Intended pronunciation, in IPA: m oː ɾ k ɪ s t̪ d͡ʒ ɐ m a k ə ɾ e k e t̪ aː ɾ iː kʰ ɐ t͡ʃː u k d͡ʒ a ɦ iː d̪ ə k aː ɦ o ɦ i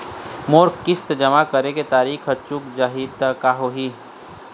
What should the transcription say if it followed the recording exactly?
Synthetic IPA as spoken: m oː ɾ k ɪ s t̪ d͡ʒ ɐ m a k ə ɾ e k e t̪ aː ɾ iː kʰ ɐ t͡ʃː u k d͡ʒ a ɦ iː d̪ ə k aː ɦ o ɦ i